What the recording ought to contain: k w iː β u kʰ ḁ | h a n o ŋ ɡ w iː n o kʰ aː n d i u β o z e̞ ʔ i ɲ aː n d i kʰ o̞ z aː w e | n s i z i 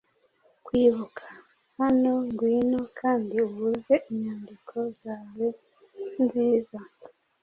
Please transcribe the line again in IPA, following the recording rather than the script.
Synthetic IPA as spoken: k w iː β u kʰ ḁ | h a n o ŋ ɡ w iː n o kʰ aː n d i u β u z e̞ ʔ i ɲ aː n d i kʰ o̞ z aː w e | n z i z a